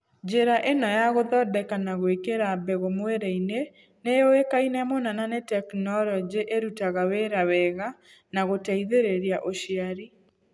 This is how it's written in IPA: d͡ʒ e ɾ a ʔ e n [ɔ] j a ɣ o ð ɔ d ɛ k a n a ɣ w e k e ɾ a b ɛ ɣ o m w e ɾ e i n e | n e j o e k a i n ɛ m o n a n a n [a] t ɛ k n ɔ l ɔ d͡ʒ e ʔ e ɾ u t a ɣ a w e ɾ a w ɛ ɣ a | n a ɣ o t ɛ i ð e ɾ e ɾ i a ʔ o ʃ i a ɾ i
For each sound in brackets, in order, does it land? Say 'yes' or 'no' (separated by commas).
yes, no